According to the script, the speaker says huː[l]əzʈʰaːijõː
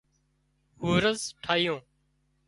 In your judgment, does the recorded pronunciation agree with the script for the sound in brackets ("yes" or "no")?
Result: no